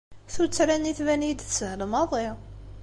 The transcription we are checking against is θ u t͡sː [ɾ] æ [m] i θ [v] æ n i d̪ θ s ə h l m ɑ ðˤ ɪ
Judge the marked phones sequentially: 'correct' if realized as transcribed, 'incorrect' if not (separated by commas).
correct, incorrect, correct